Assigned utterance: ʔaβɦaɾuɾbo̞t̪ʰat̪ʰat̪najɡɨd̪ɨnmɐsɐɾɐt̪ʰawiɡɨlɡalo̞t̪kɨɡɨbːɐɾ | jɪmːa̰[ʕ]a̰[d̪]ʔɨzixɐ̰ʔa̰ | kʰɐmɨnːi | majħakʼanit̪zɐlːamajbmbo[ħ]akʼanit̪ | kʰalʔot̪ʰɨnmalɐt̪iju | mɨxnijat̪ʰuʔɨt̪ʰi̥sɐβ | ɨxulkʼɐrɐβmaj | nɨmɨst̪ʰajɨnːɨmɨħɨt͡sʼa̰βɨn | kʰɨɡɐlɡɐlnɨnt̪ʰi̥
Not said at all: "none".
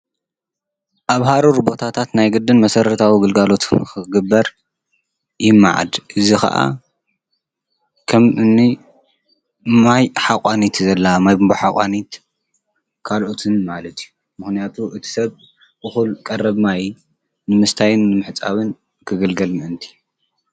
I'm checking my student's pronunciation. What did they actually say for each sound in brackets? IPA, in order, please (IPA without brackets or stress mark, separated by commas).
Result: ʕ, d̪, ħ